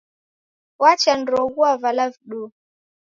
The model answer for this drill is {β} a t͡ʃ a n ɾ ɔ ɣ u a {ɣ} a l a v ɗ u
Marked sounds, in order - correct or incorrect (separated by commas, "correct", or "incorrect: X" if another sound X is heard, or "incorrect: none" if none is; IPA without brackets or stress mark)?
incorrect: w, incorrect: v